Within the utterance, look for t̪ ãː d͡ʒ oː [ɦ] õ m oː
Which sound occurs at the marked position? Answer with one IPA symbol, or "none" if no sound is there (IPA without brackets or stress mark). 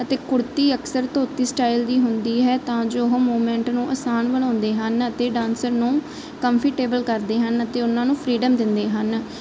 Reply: ɦ